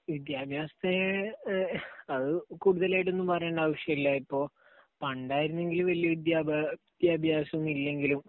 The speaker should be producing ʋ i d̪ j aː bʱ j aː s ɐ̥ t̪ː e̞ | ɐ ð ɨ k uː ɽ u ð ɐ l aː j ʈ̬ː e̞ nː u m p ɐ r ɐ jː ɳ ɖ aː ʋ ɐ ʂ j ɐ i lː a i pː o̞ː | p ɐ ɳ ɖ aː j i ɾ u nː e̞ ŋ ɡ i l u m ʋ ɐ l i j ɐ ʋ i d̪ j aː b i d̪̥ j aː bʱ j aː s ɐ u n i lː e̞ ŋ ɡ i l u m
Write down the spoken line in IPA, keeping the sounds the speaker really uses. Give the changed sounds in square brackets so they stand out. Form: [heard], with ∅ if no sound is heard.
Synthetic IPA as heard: ʋ i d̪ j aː bʱ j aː s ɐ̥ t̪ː e̞ | ɐ ð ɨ k uː ɽ u ð ɐ l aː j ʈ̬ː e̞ nː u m p ɐ r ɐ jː ɳ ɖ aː ʋ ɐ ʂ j ɐ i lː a i pː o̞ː | p ɐ ɳ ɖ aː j i ɾ u nː e̞ ŋ ɡ i l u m ʋ ɐ l i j ɐ ʋ i d̪ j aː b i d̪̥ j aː bʱ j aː s ɐ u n i lː e̞ ŋ ɡ i l u m